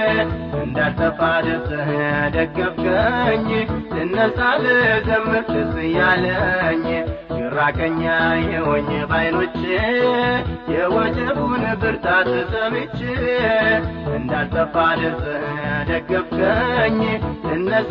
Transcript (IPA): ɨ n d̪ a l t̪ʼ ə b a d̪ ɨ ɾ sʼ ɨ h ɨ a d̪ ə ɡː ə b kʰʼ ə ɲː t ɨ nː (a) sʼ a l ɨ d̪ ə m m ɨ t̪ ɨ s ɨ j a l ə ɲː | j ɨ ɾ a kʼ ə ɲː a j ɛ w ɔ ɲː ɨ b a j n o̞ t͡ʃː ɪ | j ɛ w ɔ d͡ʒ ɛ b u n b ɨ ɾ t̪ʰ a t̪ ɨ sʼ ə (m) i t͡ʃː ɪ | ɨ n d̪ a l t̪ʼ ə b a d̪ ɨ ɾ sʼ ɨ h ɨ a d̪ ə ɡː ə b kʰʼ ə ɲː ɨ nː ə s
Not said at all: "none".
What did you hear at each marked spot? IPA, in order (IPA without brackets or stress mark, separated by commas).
ə, m